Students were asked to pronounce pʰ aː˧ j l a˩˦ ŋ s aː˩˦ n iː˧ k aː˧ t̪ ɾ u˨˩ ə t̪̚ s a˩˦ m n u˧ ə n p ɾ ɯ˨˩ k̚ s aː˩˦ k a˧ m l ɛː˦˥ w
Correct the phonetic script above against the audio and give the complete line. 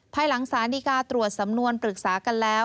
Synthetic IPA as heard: pʰ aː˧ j l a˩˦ ŋ s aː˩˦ n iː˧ k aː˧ t̪ ɾ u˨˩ ə t̪̚ s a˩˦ m n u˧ ə n p ɾ ɯ˨˩ k̚ s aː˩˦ k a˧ n l ɛː˦˥ w